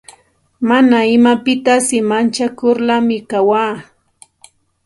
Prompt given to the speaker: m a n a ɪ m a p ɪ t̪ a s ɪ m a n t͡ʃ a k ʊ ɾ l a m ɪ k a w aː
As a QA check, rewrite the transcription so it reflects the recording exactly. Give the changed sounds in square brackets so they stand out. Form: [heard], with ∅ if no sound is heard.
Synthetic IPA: m a n a ɪ m a p ɪ t̪ a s ɪ m a n t͡ʃ a k ʊ ɾ l a m ɪ k a w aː